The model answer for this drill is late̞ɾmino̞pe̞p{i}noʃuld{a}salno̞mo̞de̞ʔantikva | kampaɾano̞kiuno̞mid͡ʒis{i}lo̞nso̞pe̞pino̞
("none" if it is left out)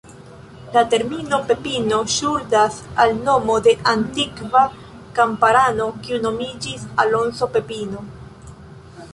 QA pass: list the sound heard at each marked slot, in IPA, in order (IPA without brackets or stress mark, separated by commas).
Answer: i, a, a